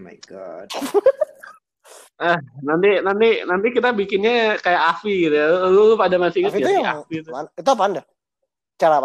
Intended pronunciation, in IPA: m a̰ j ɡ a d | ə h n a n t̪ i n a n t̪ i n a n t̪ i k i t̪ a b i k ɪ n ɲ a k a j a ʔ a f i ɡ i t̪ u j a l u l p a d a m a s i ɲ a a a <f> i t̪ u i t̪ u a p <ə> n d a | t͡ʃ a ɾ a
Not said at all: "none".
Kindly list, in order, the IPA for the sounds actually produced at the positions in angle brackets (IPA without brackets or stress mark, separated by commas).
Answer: f, a